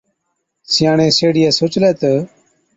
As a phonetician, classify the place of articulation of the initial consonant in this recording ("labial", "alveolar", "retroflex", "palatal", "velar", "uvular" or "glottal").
alveolar